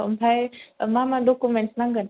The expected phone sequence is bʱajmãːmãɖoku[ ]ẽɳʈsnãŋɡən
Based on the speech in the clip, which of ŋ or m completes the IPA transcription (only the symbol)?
m